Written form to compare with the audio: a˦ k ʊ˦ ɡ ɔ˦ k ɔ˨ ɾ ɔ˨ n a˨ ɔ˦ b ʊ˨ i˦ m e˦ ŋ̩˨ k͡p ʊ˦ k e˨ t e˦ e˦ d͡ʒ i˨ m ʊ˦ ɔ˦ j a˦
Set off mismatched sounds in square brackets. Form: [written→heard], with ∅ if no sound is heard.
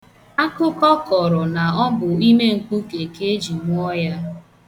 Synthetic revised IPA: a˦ k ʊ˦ [ɡ→k] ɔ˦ k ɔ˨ ɾ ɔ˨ n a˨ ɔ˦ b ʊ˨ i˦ m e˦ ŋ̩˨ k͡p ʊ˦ k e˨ [t→k] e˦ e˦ d͡ʒ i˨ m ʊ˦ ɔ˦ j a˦